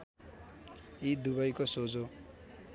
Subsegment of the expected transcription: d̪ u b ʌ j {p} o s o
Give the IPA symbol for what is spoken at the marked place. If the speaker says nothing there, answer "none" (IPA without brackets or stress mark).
k